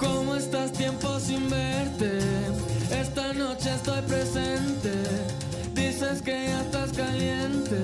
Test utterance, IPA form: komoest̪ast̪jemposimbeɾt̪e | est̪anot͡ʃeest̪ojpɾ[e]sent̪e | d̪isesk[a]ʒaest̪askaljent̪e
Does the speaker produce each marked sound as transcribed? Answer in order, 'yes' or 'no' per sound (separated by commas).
yes, no